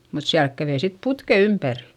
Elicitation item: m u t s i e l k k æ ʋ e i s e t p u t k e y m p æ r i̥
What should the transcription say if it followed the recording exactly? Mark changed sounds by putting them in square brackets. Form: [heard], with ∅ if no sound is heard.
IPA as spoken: m u t s i [æ] l k k æ ʋ e i s [i] t p u t k e y m p æ r i̥